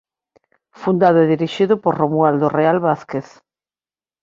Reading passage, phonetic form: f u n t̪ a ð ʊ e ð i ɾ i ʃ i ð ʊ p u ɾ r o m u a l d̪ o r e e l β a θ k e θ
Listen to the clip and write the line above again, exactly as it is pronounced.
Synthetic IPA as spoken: f u n d̪ a ð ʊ e ð i ɾ i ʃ i ð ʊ p o ɾ r o m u a l d̪ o r e a l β a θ k e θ